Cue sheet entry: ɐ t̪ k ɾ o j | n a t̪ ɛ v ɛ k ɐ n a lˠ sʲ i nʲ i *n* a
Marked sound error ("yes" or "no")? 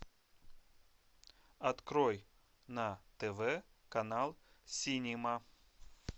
yes